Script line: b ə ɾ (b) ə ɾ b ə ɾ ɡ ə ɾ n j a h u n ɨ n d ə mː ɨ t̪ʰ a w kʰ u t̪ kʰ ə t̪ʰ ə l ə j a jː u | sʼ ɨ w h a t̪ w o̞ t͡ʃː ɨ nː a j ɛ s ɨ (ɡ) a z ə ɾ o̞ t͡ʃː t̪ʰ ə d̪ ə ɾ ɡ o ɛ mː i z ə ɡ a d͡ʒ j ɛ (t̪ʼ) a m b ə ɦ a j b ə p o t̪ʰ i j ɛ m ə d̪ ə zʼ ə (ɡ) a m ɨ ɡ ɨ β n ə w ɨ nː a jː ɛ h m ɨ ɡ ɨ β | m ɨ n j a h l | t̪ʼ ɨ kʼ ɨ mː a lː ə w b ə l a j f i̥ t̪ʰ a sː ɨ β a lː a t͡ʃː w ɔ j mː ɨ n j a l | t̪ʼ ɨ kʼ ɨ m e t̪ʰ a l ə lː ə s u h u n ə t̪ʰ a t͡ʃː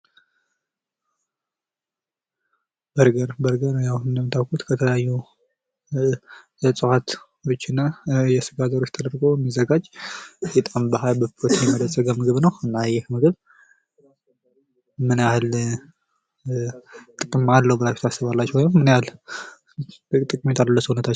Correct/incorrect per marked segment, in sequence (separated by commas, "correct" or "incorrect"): incorrect, correct, correct, correct